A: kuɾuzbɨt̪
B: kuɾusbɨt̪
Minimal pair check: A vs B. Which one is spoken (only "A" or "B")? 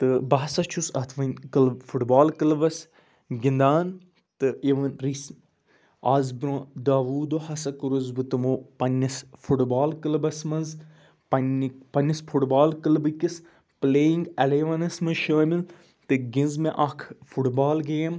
A